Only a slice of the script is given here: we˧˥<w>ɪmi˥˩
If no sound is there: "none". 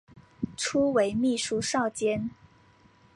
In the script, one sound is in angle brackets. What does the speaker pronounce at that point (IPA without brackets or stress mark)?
none